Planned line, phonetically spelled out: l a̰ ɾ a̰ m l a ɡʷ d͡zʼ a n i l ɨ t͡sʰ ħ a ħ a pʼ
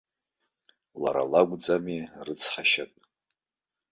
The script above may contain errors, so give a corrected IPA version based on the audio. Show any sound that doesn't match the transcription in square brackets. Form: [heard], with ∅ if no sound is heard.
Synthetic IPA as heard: l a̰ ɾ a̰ [∅] l a ɡʷ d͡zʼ a [m] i [r] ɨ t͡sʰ ħ a [ʃ] a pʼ